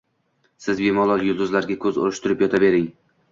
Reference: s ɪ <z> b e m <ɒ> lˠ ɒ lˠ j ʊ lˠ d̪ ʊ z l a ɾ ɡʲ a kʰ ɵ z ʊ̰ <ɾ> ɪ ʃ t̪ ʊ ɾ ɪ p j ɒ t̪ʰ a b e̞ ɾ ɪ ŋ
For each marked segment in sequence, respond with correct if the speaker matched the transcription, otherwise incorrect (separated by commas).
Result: correct, correct, correct